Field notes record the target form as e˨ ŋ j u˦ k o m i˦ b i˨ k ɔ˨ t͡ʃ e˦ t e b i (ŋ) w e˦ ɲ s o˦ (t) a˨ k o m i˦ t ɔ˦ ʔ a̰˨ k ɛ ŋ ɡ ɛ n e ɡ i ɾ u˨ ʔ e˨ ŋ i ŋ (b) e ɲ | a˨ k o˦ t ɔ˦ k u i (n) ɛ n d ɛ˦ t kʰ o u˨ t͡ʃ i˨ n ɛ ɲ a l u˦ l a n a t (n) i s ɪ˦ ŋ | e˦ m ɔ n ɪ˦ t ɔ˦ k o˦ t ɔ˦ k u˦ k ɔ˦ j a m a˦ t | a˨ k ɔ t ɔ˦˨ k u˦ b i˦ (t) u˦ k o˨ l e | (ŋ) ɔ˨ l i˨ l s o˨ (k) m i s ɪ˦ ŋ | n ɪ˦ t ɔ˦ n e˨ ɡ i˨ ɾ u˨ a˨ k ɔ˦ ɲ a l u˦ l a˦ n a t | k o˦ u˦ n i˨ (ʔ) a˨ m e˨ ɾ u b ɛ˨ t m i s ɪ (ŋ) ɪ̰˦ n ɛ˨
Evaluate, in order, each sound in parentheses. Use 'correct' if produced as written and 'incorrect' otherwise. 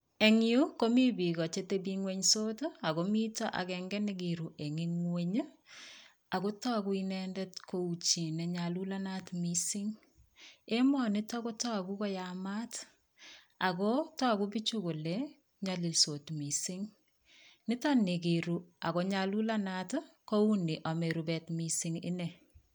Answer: correct, correct, incorrect, correct, incorrect, incorrect, incorrect, incorrect, correct, correct

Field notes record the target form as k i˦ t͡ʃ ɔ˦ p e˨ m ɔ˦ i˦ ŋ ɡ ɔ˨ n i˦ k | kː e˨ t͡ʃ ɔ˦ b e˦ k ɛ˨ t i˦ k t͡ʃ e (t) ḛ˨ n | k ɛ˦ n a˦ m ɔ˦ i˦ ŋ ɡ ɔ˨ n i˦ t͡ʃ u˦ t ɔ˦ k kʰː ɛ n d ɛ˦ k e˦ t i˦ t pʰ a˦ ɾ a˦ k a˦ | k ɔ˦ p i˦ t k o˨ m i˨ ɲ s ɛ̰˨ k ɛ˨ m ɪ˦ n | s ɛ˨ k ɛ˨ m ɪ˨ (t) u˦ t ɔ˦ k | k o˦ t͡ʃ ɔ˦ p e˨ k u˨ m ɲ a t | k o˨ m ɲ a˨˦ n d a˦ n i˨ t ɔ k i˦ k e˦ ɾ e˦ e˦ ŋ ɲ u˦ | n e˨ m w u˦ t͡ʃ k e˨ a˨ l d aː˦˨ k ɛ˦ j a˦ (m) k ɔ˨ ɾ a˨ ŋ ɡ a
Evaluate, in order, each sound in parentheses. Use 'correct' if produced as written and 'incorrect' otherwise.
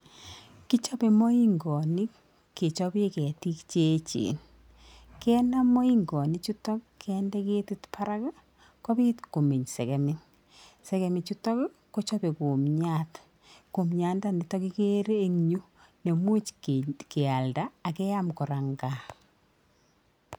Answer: incorrect, incorrect, correct

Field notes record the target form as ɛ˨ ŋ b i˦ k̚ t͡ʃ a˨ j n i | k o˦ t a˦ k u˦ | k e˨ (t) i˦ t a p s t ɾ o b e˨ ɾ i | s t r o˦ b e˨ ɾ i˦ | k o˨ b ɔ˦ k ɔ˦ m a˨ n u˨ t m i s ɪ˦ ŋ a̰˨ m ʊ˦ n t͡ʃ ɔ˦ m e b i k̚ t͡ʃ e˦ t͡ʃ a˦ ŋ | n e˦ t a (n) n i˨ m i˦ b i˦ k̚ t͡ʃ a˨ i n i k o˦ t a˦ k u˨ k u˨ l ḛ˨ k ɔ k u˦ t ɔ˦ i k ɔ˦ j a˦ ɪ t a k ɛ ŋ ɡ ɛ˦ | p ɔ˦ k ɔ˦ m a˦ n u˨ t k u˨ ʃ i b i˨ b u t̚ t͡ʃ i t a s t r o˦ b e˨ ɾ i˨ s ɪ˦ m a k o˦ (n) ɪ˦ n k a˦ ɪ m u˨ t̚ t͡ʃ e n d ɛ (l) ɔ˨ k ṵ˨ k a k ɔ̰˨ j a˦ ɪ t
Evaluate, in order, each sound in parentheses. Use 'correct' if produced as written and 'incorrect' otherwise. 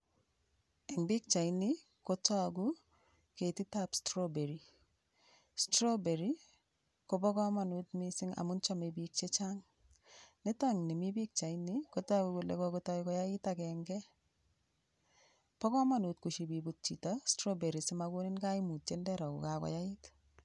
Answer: correct, incorrect, correct, incorrect

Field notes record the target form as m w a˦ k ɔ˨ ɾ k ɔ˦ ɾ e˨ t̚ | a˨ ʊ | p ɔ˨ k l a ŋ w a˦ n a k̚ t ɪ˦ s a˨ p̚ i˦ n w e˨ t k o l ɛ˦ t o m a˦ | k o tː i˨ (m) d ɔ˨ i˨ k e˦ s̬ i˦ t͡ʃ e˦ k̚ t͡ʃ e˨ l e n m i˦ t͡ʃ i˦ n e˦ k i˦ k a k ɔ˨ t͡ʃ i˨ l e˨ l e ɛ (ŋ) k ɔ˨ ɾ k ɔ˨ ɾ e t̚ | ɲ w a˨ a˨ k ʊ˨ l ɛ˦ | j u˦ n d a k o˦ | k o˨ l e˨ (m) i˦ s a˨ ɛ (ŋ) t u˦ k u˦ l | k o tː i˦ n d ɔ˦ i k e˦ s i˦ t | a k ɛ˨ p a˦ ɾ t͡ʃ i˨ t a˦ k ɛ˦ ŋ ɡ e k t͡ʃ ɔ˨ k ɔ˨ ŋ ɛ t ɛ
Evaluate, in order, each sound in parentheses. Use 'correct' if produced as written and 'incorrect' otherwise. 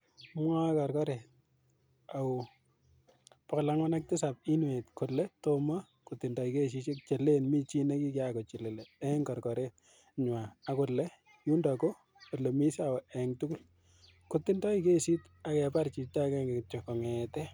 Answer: incorrect, correct, correct, correct

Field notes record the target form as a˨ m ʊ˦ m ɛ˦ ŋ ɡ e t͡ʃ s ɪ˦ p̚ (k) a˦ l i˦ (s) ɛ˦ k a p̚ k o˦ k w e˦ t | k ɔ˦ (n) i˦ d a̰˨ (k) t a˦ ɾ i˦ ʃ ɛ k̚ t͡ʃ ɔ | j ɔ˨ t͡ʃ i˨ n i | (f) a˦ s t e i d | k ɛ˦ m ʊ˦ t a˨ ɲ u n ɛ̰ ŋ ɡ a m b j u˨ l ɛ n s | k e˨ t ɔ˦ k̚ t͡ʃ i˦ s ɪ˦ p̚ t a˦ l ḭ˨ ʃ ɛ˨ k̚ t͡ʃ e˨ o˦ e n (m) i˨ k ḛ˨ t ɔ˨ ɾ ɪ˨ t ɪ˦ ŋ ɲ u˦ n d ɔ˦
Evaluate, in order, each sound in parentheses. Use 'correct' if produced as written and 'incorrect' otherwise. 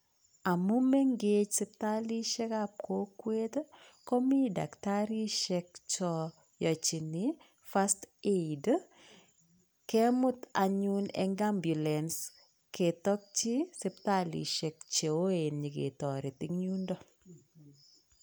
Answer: incorrect, incorrect, incorrect, correct, correct, incorrect

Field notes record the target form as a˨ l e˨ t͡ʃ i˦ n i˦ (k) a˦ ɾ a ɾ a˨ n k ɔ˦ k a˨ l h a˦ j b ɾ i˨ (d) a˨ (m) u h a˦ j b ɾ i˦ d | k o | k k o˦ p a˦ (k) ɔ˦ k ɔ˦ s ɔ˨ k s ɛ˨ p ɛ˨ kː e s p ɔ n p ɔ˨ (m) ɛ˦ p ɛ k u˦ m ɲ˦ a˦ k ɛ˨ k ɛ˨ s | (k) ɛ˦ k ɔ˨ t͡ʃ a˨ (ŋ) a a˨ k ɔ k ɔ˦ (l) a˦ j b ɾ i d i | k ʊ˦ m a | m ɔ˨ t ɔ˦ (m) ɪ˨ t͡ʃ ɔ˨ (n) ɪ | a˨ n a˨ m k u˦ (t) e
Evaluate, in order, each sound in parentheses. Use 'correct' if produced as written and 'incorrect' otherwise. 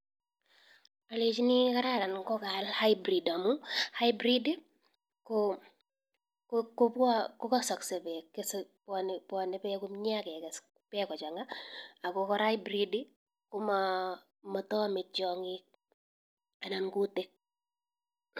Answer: correct, correct, correct, correct, incorrect, incorrect, correct, incorrect, correct, incorrect, correct

